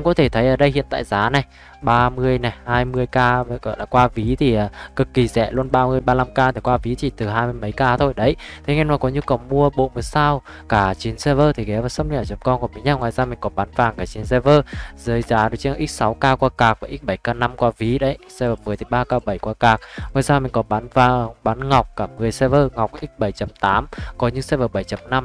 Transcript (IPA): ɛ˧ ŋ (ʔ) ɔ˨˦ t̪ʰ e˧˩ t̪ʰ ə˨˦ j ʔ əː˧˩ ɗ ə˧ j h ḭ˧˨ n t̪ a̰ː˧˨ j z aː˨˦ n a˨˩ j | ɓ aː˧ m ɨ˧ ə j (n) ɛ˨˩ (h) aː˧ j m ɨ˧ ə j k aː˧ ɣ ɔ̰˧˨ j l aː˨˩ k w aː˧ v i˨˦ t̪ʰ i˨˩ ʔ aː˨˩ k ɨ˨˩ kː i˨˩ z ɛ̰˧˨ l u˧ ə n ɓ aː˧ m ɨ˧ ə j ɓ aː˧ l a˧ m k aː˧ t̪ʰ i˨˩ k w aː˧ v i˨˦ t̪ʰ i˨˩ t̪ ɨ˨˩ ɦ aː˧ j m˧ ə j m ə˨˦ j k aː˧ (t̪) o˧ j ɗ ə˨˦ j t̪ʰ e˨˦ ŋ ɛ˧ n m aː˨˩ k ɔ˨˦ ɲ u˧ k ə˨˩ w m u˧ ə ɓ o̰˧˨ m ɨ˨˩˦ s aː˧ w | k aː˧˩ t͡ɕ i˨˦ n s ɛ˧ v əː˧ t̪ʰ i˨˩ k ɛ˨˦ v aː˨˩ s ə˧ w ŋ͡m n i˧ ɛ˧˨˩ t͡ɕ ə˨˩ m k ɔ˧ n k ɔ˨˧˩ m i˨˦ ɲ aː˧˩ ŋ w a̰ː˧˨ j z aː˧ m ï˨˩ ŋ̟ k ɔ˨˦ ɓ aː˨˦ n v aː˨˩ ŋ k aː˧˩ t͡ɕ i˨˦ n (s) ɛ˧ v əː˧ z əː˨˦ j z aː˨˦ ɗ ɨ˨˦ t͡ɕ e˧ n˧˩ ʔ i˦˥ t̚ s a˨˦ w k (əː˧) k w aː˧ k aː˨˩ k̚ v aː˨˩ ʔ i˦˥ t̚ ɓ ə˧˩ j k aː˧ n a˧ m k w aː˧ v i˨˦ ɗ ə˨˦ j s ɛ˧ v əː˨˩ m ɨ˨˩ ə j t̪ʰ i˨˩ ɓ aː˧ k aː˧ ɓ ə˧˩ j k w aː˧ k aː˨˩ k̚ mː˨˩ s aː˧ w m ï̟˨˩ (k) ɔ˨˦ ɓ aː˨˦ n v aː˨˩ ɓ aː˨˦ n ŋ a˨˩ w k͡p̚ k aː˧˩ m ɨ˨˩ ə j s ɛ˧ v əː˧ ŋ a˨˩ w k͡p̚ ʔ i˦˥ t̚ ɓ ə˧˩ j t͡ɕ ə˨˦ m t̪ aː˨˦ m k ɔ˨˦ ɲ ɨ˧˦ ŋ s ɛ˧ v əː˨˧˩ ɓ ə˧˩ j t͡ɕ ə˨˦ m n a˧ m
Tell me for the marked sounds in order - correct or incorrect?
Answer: incorrect, correct, correct, incorrect, correct, incorrect, correct

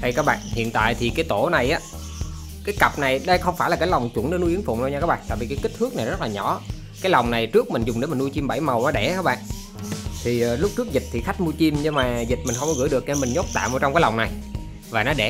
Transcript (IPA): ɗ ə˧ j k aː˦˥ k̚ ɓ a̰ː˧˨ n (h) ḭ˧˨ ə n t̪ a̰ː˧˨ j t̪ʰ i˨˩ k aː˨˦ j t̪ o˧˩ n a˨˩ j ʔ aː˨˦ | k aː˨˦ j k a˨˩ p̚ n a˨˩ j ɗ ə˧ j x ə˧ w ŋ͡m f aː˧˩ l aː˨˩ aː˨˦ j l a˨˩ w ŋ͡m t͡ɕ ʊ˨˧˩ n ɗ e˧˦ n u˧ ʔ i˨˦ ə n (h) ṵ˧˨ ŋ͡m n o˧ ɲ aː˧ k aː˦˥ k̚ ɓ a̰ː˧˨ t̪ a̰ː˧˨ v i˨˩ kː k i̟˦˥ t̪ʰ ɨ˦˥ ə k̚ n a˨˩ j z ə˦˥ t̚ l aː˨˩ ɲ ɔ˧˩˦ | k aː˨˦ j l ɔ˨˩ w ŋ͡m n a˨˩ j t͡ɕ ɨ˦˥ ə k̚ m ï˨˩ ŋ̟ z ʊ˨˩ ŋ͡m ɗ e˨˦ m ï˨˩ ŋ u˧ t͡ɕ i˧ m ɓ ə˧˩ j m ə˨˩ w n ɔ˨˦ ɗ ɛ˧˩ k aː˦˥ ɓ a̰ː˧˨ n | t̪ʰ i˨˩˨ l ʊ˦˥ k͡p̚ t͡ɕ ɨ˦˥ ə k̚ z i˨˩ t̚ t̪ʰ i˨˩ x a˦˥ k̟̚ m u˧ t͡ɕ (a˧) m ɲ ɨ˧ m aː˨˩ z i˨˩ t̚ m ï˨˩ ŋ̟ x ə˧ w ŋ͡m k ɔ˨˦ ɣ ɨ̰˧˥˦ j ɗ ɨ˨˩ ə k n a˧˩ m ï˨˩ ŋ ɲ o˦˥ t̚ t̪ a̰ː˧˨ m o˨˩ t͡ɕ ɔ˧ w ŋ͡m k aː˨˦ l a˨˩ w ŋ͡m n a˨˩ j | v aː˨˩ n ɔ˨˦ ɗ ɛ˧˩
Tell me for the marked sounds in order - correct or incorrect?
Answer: correct, incorrect, incorrect

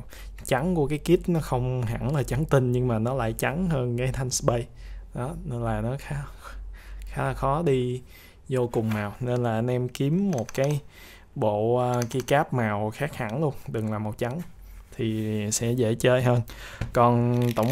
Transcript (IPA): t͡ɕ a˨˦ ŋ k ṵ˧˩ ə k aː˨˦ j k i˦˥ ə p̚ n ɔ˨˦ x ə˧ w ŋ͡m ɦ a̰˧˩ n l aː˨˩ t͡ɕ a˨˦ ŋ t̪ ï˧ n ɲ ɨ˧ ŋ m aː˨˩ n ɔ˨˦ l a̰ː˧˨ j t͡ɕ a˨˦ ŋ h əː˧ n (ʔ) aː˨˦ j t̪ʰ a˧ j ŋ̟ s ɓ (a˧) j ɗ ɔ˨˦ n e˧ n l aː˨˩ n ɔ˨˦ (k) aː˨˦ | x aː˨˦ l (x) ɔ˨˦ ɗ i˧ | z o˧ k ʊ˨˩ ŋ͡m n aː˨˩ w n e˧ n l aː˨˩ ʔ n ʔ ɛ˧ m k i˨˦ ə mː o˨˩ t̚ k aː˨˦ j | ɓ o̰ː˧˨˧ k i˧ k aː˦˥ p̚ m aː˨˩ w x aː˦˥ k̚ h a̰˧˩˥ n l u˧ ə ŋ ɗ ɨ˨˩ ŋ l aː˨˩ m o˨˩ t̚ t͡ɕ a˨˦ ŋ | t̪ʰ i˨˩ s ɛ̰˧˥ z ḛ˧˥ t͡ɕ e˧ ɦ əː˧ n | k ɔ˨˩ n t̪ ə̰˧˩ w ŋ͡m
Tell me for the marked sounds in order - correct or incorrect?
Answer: incorrect, incorrect, incorrect, correct

